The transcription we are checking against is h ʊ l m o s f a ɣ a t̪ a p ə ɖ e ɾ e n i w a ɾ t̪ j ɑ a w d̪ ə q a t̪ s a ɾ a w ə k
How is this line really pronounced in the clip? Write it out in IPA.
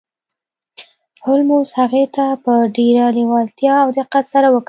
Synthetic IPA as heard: h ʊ l m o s h a ɣ e t̪ a p ə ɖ e ɾ a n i w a l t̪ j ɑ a w d̪ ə q a t̪ s a ɾ a w ə k